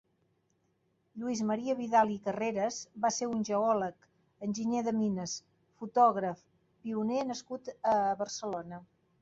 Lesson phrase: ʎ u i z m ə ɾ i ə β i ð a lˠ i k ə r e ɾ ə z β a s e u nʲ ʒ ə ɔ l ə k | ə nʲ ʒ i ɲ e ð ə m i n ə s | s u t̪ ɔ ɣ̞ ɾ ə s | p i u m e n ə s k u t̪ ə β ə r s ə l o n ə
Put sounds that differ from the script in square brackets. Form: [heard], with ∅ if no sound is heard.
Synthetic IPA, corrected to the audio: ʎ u i z m ə ɾ i ə β i ð a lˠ i k ə r e ɾ ə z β a s e u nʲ ʒ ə ɔ l ə k | ə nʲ ʒ i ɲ e ð ə m i n ə s | [f] u t̪ ɔ ɣ̞ ɾ ə [f] | p i u [n] e n ə s k u t̪ ə β ə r s ə l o n ə